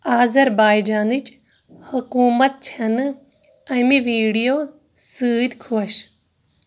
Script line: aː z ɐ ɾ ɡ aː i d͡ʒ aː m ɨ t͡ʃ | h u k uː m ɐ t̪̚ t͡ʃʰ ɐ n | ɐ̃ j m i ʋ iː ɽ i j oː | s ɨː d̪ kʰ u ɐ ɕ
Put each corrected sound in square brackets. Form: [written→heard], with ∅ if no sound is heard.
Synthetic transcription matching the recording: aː z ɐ ɾ [ɡ→b] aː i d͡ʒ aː [m→n] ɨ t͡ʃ | h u k uː m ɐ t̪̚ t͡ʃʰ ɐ n | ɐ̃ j m i ʋ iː ɽ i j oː | s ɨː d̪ kʰ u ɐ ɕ